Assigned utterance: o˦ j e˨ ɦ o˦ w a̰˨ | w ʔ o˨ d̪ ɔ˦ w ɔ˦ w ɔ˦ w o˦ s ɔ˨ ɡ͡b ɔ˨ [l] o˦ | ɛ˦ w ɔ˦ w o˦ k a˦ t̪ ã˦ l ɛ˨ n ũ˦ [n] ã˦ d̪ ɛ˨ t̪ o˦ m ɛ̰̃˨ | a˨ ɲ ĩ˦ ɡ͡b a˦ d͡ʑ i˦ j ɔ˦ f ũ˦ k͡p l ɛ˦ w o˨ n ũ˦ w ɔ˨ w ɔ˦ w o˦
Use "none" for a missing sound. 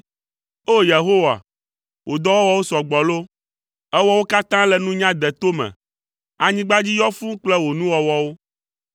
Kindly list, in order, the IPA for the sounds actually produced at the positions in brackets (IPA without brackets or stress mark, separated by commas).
l, ɲ